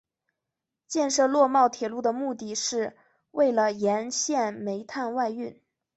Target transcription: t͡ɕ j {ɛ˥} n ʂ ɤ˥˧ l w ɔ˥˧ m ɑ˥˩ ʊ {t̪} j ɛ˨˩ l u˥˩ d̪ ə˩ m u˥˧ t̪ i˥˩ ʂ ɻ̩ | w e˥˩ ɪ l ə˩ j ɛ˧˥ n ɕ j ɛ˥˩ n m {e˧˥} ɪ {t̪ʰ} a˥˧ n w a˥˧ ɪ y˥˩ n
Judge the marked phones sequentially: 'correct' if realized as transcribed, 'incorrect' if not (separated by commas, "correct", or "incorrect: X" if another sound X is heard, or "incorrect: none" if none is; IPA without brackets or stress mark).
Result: incorrect: ɛ˥˧, incorrect: t̪ʰ, correct, correct